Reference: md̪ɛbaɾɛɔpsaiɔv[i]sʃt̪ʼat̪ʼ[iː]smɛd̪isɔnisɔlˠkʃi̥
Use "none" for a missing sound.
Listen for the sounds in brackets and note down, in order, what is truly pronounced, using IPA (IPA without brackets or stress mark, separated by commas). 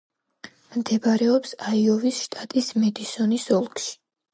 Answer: i, i